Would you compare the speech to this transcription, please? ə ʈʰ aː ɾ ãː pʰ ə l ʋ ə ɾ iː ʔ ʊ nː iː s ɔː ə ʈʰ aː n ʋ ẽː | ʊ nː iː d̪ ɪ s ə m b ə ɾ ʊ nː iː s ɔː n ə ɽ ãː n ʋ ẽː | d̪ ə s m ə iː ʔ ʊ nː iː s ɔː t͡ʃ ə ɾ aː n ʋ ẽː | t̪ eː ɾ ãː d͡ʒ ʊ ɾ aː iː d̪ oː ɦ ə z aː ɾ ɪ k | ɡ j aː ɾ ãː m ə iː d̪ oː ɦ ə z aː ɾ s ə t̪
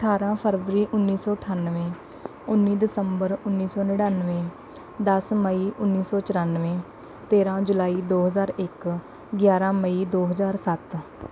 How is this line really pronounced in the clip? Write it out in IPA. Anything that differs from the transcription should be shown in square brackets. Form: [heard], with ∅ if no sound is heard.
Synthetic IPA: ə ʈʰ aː ɾ ãː pʰ ə [ɾ] ʋ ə ɾ iː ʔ ʊ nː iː s ɔː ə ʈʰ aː n ʋ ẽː | ʊ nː iː d̪ ɪ s ə m b ə ɾ ʊ nː iː s ɔː n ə ɽ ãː n ʋ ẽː | d̪ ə s m ə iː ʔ ʊ nː iː s ɔː t͡ʃ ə ɾ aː n ʋ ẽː | t̪ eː ɾ ãː d͡ʒ ʊ [l] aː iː d̪ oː ɦ ə z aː ɾ ɪ k | ɡ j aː ɾ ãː m ə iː d̪ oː ɦ ə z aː ɾ s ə t̪

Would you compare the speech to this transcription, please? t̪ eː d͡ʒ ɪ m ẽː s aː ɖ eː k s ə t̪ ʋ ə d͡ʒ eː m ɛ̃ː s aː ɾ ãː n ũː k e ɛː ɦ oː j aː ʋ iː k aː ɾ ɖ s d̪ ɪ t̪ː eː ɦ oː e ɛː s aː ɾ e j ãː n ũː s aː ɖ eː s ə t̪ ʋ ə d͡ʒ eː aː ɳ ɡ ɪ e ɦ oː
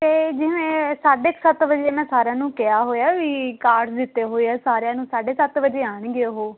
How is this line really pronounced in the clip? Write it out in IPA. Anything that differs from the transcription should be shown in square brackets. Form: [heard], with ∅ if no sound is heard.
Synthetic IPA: t̪ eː d͡ʒ ɪ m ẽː s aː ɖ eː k s ə t̪ ʋ ə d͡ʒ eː m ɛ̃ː s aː ɾ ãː n ũː k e [aː] ɦ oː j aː ʋ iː k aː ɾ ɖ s d̪ ɪ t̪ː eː ɦ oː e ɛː s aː ɾ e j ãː n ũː s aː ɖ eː s ə t̪ ʋ ə d͡ʒ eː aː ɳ ɡ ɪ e ɦ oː

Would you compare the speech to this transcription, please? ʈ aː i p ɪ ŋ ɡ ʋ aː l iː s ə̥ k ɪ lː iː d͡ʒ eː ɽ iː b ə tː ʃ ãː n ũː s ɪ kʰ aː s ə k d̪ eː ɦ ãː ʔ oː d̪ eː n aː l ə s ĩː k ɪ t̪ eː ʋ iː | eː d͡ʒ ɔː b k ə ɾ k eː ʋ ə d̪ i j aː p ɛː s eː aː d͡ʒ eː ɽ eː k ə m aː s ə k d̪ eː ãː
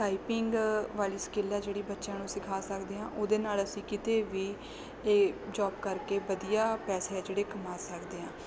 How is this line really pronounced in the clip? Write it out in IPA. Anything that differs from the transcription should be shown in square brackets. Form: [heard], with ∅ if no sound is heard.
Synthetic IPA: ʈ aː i p ɪ ŋ ɡ ʋ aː l iː s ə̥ k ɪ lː [aː] d͡ʒ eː ɽ iː b ə tː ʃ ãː n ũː s ɪ kʰ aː s ə k d̪ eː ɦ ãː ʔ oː d̪ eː n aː l ə s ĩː k ɪ t̪ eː ʋ iː | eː d͡ʒ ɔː b k ə ɾ k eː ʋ ə d̪ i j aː p ɛː s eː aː d͡ʒ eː ɽ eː k ə m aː s ə k d̪ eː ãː

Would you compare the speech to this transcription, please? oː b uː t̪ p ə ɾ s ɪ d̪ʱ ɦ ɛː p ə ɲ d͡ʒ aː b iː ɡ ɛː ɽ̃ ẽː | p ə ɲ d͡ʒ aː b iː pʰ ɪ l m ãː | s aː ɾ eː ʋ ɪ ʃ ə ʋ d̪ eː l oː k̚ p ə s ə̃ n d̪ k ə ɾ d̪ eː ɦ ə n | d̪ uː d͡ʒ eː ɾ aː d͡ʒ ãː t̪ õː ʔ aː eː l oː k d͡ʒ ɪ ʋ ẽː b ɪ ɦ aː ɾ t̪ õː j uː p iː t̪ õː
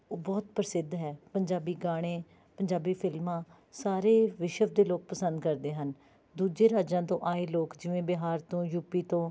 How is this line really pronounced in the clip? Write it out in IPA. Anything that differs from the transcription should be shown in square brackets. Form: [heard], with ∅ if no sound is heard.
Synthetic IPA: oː b [ɔː] t̪ p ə ɾ s ɪ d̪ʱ ɦ ɛː p ə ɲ d͡ʒ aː b iː ɡ [aː] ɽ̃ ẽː | p ə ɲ d͡ʒ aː b iː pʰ ɪ l m ãː | s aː ɾ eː ʋ ɪ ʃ ə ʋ d̪ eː l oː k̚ p ə s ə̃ n d̪ k ə ɾ d̪ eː ɦ ə n | d̪ uː d͡ʒ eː ɾ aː d͡ʒ ãː t̪ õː ʔ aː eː l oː k d͡ʒ ɪ ʋ ẽː b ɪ ɦ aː ɾ t̪ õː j uː p iː t̪ õː

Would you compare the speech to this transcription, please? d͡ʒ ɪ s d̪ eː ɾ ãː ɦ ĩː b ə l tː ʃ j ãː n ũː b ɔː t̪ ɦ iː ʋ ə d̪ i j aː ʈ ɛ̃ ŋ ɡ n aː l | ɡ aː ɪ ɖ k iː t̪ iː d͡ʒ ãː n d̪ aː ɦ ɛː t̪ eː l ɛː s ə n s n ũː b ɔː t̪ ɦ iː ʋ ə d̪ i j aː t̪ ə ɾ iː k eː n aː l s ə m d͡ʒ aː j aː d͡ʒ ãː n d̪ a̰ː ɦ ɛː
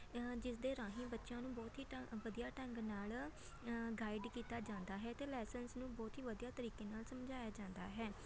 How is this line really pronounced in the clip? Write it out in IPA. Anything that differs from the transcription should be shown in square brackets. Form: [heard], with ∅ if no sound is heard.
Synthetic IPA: d͡ʒ ɪ s d̪ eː ɾ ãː ɦ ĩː b ə [∅] tː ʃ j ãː n ũː b ɔː t̪ ɦ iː ʋ ə d̪ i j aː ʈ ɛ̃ ŋ ɡ n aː l | ɡ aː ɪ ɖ k iː t̪ [aː] d͡ʒ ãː n d̪ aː ɦ ɛː t̪ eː l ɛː s ə n s n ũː b ɔː t̪ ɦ iː ʋ ə d̪ i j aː t̪ ə ɾ iː k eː n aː l s ə m d͡ʒ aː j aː d͡ʒ ãː n d̪ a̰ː ɦ ɛː

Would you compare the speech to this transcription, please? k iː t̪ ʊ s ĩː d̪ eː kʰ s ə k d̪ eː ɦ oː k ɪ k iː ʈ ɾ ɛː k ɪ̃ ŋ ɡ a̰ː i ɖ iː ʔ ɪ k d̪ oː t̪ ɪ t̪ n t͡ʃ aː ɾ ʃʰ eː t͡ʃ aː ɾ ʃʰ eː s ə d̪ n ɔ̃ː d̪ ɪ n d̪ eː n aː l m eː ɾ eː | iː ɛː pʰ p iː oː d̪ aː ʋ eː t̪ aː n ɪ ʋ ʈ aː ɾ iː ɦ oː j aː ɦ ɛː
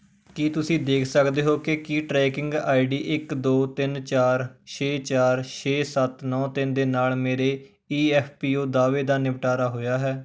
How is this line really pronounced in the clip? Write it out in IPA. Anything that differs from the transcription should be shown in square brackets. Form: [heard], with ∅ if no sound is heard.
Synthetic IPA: k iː t̪ ʊ s ĩː d̪ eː kʰ s ə k d̪ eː ɦ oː k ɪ k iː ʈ ɾ ɛː k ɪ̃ ŋ ɡ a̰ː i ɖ iː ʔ ɪ k d̪ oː t̪ ɪ [∅] n t͡ʃ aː ɾ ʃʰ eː t͡ʃ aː ɾ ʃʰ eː s ə [t̪] n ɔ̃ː [t̪] ɪ n d̪ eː n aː l m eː ɾ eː | iː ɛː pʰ p iː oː d̪ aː ʋ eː [d̪] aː n ɪ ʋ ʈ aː ɾ [aː] ɦ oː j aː ɦ ɛː

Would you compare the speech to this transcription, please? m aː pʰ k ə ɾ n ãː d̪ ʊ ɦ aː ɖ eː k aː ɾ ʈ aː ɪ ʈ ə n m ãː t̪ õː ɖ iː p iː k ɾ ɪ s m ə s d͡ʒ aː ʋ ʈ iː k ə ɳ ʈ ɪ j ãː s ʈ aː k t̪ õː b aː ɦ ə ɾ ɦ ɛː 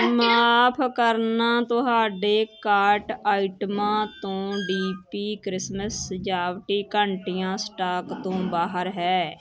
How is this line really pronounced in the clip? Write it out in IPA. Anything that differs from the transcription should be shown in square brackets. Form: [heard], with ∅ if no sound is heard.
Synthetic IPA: m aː pʰ k ə ɾ n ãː [t̪] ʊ ɦ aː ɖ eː k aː ɾ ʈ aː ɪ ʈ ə [∅] m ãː t̪ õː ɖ iː p iː k ɾ ɪ s m ə s d͡ʒ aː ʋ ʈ iː k ə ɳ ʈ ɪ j ãː s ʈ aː k t̪ õː b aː ɦ ə ɾ ɦ ɛː

